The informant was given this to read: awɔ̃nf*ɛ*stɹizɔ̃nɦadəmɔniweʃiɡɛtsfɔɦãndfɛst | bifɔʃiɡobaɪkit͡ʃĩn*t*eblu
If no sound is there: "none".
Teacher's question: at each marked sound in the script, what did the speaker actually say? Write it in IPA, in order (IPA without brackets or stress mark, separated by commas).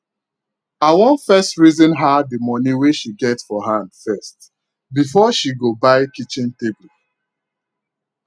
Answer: ɛ, t